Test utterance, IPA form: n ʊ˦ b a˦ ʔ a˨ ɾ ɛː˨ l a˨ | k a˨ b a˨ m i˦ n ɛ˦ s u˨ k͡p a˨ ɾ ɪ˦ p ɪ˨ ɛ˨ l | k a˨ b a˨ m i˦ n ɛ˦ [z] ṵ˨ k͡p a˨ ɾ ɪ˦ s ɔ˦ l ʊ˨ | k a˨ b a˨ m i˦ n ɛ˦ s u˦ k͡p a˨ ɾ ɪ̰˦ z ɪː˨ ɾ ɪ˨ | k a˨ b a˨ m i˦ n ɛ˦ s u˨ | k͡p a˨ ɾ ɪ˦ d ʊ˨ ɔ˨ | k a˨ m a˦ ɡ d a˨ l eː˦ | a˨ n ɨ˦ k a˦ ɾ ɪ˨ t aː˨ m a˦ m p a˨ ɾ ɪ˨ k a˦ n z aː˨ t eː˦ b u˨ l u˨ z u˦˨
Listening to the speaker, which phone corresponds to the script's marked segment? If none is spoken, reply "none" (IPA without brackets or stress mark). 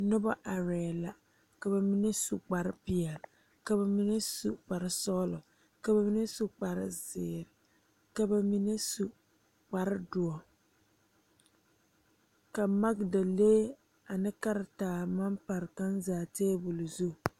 s